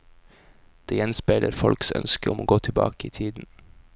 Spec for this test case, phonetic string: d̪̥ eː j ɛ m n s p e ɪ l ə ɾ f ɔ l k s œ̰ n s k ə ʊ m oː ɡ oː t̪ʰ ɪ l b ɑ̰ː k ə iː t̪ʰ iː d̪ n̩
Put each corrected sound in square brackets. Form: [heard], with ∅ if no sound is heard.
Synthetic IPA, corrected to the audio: d̪̥ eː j ɛ [∅] n s p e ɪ l ə ɾ f ɔ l k s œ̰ n s k ə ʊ m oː ɡ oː t̪ʰ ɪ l b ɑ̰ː k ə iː t̪ʰ iː d̪ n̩

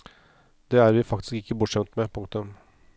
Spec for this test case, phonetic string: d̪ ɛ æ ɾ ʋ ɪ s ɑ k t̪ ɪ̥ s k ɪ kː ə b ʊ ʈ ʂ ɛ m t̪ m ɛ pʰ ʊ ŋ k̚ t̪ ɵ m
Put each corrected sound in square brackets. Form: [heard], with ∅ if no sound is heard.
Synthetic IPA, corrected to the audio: d̪ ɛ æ ɾ ʋ ɪ [f] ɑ k t̪ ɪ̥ s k ɪ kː ə b ʊ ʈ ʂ ɛ m t̪ m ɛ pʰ ʊ ŋ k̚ t̪ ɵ m

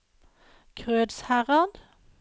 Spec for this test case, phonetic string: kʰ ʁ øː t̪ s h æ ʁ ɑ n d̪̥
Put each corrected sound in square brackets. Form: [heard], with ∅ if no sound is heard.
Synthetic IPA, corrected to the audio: kʰ ʁ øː [d̪] s h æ ʁ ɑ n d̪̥

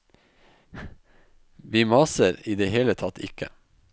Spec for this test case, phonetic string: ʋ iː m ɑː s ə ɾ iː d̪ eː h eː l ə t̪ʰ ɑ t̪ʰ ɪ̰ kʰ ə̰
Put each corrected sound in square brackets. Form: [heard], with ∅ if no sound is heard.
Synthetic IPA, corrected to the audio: ʋ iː m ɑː s ə ɾ iː d̪ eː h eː l ə t̪ʰ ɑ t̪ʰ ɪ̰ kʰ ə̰

